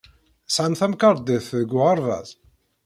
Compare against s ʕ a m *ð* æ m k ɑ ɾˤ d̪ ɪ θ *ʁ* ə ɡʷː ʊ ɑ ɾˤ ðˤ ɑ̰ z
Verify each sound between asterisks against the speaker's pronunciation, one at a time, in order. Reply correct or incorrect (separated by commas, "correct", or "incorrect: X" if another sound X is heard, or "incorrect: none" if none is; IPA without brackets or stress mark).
incorrect: θ, incorrect: ð